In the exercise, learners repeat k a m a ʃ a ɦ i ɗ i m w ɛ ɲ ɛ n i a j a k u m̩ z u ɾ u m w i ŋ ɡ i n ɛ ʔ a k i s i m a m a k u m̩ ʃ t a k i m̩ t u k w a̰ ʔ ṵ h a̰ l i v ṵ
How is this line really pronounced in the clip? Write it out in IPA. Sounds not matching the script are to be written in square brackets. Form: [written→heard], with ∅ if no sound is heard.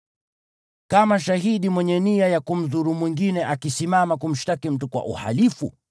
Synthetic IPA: k a m a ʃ a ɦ i ɗ i m w ɛ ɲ ɛ n i a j a k u m̩ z u ɾ u m w i ŋ ɡ i n ɛ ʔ a k i s i m a m a k u m̩ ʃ t a k i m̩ t u k w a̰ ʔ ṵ h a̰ l i [v→f] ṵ